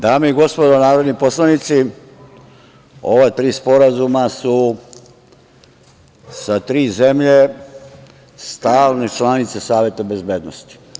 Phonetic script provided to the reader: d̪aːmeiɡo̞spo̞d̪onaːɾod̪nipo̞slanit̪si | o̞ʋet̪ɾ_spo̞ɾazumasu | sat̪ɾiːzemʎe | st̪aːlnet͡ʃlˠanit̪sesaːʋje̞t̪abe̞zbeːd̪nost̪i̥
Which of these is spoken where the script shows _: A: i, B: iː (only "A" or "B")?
B